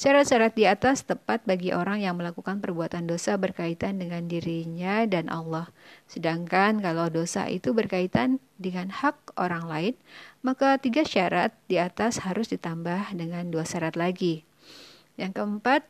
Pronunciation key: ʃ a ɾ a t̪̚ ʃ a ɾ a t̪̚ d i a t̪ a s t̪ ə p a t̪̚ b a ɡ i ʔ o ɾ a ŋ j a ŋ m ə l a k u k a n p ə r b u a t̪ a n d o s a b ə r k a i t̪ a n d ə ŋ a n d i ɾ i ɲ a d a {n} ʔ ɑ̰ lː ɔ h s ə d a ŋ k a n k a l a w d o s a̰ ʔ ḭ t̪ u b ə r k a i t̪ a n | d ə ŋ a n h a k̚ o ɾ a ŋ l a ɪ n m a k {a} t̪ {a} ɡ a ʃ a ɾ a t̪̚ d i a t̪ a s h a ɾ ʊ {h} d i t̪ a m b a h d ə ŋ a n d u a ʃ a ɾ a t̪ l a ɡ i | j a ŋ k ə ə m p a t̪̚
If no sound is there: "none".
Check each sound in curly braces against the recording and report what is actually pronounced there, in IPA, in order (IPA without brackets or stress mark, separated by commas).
n, a, i, s